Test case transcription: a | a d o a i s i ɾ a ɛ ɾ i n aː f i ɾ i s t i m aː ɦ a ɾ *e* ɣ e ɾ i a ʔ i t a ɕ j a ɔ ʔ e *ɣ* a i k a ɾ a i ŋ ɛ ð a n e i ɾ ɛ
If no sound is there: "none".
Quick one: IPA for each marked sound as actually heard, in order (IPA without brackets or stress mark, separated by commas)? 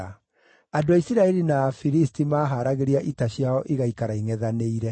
a, ɣ